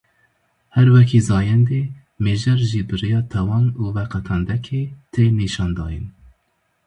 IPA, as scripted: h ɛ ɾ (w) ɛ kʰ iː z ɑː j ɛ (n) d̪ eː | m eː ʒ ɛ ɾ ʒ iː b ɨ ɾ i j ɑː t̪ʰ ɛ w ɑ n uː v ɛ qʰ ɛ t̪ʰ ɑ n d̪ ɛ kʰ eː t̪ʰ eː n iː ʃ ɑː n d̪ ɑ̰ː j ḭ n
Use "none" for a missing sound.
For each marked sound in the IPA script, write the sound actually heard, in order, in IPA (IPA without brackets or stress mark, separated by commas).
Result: w, n